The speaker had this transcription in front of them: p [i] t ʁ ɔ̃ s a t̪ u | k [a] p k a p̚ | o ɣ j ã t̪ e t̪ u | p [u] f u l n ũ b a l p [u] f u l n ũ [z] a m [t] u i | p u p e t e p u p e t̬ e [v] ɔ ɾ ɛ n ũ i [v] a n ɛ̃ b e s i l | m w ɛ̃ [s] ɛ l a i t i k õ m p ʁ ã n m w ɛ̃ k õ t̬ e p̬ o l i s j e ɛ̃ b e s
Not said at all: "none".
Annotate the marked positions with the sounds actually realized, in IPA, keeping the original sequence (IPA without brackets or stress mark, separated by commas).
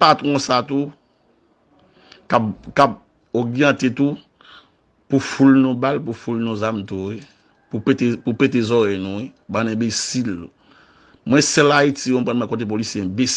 a, a, u, u, z, t, z, b, s